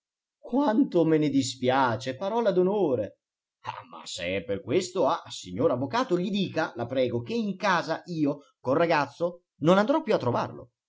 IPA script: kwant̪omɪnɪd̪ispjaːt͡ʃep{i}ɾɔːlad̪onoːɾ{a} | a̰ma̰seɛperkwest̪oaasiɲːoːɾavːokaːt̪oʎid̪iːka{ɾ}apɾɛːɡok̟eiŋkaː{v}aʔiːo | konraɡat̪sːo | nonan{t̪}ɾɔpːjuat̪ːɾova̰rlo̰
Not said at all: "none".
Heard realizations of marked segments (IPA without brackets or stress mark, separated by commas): a, e, l, z, d̪